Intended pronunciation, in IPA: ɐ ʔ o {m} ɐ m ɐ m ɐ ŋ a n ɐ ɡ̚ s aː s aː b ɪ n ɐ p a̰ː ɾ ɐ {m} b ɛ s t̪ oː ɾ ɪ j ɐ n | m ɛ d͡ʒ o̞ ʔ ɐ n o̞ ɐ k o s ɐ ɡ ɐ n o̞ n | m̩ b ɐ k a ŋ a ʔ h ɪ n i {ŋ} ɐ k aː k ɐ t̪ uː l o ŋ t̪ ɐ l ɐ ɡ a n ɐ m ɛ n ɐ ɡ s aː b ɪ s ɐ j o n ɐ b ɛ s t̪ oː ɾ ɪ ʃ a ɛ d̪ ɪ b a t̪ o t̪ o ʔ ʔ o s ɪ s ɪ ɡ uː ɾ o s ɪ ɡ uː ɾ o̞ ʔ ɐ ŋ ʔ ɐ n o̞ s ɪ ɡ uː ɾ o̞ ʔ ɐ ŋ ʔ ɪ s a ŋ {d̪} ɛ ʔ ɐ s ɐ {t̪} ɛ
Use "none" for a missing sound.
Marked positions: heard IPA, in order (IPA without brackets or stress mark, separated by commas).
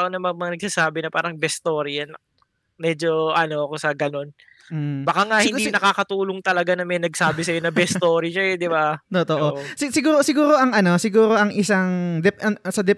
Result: n, ŋ, n, d̪, d̪